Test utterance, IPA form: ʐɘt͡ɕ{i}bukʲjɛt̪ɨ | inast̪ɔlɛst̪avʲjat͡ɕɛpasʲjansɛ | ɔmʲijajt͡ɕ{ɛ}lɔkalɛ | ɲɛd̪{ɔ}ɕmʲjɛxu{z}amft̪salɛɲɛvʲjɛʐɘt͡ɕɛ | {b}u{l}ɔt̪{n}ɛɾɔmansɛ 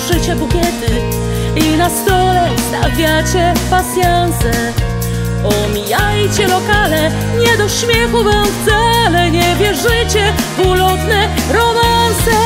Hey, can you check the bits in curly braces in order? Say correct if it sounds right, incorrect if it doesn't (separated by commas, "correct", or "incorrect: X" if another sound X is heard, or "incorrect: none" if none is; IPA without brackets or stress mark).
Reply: incorrect: ɛ, correct, correct, incorrect: v, incorrect: v, correct, correct